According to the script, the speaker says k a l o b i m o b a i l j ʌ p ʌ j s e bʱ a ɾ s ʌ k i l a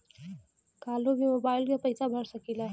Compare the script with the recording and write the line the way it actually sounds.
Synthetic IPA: k a l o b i m o b a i l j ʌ p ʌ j s a bʱ ʌ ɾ s ʌ k i l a